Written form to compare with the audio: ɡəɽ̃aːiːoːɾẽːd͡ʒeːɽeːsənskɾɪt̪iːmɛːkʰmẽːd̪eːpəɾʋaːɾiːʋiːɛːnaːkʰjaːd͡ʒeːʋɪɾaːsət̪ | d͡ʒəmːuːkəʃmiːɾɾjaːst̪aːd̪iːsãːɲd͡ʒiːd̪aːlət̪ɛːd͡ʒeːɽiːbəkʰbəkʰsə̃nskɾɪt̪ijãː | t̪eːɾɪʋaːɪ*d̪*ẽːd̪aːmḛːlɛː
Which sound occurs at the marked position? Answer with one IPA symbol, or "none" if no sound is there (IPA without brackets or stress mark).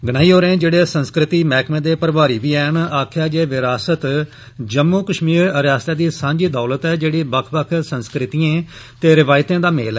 t̪